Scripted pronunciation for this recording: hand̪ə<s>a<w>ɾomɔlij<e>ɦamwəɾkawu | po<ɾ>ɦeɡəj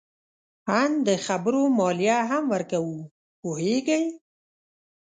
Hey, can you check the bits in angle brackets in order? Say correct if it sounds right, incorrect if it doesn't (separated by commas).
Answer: incorrect, incorrect, incorrect, incorrect